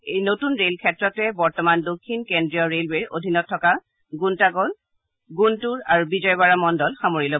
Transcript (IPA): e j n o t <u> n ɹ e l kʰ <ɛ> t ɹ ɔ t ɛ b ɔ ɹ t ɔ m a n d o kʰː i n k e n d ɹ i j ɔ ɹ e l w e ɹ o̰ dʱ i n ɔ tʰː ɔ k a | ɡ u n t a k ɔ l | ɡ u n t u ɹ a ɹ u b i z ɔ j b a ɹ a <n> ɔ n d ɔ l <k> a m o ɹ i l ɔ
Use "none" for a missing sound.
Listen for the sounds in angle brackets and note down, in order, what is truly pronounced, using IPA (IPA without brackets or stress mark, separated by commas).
u, ɛ, m, x